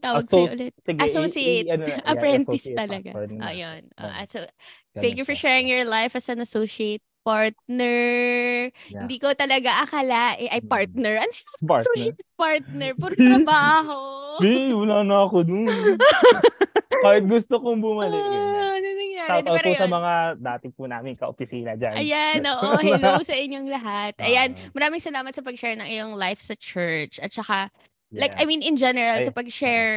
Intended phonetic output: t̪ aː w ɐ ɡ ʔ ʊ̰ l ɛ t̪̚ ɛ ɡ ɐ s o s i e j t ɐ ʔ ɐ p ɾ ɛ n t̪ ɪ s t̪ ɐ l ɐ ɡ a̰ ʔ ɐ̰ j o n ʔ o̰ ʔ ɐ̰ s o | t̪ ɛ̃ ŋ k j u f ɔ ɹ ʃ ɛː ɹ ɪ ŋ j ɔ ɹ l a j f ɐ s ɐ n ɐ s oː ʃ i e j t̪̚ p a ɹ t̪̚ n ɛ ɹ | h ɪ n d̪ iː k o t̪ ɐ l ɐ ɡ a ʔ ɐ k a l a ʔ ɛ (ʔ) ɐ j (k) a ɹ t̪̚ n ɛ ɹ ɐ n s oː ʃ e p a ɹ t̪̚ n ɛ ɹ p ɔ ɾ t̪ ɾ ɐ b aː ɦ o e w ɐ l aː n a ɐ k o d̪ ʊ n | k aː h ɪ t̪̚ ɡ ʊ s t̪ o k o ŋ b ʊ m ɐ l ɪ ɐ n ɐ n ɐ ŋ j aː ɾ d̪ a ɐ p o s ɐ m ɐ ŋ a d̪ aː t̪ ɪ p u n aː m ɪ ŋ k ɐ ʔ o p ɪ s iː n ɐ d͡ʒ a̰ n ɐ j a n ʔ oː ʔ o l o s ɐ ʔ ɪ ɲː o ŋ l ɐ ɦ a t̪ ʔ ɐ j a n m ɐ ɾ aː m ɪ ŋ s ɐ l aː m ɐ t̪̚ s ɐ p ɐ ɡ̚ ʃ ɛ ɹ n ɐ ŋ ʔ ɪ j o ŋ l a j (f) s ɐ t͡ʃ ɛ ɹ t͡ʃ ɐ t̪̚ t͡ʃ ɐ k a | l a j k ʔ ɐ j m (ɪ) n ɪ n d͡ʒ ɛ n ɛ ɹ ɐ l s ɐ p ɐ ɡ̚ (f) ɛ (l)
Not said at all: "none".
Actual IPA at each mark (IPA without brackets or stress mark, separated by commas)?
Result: ʔ, p, f, i, ʃ, ɹ